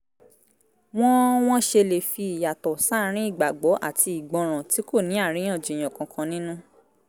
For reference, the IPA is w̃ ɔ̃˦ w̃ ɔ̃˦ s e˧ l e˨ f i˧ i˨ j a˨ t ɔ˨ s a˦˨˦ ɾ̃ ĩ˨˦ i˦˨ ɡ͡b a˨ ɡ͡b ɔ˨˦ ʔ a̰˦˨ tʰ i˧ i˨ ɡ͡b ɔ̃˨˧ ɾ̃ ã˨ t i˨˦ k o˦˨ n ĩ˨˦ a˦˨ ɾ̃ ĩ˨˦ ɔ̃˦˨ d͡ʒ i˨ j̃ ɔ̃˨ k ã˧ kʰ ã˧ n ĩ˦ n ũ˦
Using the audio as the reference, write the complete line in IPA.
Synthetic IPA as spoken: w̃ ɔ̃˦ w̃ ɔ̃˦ ʃ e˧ l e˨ f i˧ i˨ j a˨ t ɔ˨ s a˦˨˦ ɾ̃ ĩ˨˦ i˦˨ ɡ͡b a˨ ɡ͡b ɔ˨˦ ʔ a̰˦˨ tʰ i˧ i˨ ɡ͡b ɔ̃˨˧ ɾ̃ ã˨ t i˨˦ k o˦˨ n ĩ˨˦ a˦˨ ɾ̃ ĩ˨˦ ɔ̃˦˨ d͡ʒ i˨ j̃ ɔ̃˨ k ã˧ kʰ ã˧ n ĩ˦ n ũ˦